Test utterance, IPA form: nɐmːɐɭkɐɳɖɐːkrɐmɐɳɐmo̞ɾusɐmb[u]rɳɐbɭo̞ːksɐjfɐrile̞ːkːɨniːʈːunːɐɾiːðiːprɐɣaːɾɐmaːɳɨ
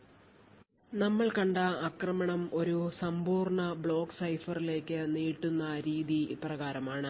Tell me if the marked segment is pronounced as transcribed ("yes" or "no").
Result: no